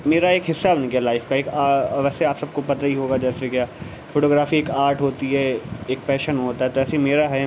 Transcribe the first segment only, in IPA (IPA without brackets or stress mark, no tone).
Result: m